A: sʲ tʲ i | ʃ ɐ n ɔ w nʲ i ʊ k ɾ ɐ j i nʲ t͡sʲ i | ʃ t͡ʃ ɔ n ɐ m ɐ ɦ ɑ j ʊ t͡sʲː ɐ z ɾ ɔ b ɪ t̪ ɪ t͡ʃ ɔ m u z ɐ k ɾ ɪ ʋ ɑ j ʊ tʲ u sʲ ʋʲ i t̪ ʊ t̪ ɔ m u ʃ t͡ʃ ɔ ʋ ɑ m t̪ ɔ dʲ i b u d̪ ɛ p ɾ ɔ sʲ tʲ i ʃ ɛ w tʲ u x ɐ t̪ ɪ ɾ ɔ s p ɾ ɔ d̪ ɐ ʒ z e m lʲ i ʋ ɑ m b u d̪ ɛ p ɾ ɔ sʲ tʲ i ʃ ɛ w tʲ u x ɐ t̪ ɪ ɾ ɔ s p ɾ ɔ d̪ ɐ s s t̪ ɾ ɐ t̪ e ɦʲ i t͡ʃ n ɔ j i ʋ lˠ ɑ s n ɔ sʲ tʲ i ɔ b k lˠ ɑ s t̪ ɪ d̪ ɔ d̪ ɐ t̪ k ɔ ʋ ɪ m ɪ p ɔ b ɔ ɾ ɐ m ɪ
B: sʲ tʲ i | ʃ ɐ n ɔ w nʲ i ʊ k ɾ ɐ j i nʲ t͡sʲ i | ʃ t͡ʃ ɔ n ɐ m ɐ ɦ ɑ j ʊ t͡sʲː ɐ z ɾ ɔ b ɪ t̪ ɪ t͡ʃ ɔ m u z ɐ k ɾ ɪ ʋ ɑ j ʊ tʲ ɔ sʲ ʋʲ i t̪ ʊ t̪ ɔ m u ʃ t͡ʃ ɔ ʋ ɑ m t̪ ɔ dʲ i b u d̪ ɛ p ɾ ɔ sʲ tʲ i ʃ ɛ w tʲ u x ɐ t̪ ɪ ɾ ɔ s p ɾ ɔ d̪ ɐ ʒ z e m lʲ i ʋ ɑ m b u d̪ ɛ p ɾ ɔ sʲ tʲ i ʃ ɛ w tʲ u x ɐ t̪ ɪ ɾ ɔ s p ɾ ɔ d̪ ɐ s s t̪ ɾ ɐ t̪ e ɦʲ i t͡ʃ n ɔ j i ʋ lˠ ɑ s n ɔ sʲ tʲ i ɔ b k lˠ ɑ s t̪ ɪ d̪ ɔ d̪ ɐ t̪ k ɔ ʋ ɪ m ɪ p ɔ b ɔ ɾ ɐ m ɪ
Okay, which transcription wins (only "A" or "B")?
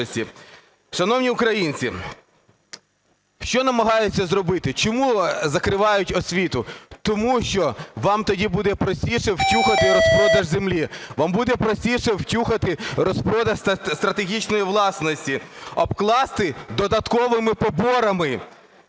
B